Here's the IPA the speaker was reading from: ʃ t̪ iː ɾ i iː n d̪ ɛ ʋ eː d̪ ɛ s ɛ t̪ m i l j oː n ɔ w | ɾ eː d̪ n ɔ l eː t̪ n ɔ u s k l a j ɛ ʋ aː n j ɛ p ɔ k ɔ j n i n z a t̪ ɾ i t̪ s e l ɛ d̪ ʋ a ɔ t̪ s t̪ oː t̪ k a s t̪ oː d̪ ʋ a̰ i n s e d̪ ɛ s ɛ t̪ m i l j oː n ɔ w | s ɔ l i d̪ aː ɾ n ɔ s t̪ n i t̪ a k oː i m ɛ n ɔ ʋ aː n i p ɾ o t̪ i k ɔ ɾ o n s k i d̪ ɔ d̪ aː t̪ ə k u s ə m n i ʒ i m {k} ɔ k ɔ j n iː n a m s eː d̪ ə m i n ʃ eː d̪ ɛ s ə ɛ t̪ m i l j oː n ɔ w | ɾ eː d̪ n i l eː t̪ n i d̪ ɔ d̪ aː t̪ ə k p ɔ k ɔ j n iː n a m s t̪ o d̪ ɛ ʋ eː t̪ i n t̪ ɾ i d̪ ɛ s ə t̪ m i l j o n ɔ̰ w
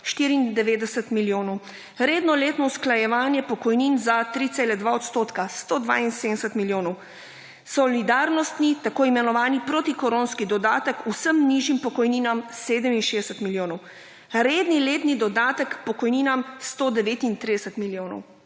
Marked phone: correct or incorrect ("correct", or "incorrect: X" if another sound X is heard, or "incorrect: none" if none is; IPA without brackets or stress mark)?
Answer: incorrect: p